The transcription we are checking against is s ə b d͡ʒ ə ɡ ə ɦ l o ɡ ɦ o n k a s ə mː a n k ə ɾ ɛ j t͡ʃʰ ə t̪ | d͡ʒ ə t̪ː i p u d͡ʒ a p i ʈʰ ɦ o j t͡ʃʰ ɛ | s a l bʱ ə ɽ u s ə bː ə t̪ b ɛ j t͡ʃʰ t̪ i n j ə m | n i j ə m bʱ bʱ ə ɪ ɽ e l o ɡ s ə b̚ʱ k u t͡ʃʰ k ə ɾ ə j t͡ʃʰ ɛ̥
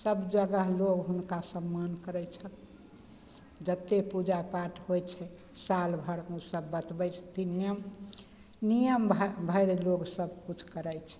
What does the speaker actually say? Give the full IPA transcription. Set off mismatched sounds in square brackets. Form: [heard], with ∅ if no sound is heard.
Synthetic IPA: s ə b d͡ʒ ə ɡ ə ɦ l o ɡ ɦ [u] n k a s ə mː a n k ə ɾ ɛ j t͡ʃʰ ə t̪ | d͡ʒ ə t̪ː [e] p u d͡ʒ a p [a] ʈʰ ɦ o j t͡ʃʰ ɛ | s a l bʱ ə ɽ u s ə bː ə t̪ b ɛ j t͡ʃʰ t̪ i n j ə m | n i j ə m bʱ bʱ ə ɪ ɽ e l o ɡ s ə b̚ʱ k u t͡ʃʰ k ə ɾ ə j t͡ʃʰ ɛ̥